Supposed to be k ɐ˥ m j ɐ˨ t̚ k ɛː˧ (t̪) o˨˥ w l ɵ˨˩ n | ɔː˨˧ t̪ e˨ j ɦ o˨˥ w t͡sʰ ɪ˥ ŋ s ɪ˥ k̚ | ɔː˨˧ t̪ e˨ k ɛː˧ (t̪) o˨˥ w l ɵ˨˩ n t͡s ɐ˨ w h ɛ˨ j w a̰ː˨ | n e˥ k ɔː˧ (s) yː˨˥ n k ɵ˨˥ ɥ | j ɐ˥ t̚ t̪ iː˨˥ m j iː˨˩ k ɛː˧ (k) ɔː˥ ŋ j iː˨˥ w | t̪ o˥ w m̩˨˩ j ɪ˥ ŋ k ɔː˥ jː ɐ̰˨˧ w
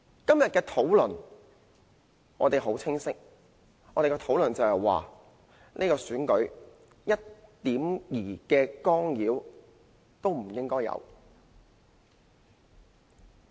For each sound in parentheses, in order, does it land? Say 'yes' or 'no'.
no, no, yes, yes

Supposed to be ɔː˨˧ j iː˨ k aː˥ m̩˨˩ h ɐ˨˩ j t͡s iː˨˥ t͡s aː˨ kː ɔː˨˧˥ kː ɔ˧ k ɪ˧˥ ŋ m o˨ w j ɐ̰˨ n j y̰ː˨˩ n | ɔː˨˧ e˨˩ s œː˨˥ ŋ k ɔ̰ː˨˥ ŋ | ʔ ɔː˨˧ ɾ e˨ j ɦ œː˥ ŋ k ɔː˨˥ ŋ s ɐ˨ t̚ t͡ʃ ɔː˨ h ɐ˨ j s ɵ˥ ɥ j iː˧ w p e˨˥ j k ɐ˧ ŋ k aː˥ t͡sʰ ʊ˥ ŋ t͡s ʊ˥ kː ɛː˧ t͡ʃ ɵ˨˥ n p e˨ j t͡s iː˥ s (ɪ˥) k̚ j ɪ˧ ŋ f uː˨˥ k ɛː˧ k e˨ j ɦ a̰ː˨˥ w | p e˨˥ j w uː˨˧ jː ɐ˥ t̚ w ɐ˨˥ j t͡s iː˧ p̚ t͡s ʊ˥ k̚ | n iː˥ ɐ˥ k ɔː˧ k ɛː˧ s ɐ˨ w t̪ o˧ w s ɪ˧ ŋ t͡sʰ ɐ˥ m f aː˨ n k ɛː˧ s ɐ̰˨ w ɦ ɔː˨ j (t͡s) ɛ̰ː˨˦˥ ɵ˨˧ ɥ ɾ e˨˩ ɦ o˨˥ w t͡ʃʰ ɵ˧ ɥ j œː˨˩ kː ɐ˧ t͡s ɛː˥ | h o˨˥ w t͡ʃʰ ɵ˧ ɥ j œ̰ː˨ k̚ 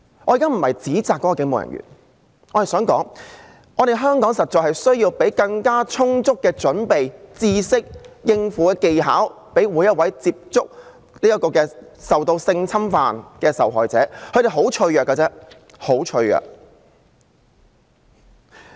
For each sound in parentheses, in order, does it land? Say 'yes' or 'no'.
yes, yes

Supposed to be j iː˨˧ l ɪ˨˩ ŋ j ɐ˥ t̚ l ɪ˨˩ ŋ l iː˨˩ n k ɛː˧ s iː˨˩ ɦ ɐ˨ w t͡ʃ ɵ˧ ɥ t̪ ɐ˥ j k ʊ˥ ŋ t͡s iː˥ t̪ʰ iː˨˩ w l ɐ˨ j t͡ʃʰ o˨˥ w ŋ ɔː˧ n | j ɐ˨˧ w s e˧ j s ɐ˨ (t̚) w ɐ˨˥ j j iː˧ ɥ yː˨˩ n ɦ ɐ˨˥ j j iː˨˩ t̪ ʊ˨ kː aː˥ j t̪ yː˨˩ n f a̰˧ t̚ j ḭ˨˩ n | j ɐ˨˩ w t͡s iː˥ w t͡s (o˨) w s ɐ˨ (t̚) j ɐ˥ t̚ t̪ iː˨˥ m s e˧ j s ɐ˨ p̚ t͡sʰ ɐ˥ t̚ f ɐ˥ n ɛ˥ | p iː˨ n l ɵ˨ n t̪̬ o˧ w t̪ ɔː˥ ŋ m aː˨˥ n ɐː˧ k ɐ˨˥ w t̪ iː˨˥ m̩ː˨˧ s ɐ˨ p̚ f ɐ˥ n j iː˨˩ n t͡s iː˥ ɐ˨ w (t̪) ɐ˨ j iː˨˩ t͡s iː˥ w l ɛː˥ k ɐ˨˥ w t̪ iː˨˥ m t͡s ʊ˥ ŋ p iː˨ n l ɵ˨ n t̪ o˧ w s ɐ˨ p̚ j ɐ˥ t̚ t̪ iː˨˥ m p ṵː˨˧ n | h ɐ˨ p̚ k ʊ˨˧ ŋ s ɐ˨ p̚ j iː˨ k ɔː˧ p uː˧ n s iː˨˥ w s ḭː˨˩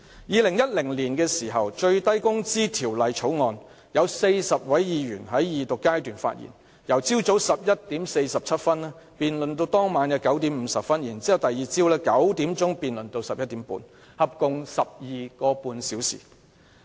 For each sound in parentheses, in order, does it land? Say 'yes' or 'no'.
no, no, no, yes

